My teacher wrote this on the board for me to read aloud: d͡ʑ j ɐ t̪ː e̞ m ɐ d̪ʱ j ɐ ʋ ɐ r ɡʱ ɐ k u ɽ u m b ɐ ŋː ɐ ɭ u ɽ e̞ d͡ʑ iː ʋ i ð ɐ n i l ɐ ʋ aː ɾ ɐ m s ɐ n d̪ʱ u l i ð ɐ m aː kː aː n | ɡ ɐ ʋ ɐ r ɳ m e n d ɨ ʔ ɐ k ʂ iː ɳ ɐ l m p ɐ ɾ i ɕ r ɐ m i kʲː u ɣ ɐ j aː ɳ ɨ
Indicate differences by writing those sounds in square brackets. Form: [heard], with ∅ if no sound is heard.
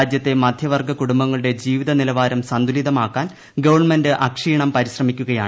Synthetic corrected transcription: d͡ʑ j ɐ t̪ː e̞ m ɐ d̪ʱ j ɐ ʋ ɐ r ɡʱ ɐ k u ɽ u m b ɐ ŋː ɐ ɭ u ɽ e̞ d͡ʑ iː ʋ i ð ɐ n i l ɐ ʋ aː ɾ ɐ m s ɐ n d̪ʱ u l i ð ɐ m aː kː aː n | ɡ ɐ ʋ ɐ r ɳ m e n d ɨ ʔ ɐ k ʂ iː ɳ ɐ [∅] m p ɐ ɾ i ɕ r ɐ m i kʲː u ɣ ɐ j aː ɳ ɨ